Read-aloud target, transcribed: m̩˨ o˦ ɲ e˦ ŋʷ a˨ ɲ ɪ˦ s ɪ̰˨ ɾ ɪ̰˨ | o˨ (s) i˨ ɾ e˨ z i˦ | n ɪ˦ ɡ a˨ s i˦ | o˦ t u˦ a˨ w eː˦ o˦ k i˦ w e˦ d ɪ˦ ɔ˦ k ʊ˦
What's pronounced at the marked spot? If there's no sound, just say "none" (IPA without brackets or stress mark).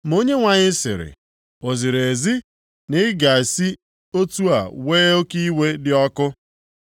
z